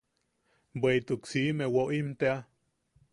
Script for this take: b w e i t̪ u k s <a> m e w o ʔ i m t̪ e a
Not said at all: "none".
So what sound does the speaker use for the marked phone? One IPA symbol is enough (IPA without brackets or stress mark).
i